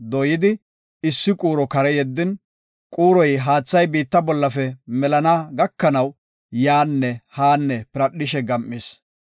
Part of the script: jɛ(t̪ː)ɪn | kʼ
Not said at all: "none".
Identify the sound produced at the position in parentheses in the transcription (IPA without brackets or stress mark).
d̪ː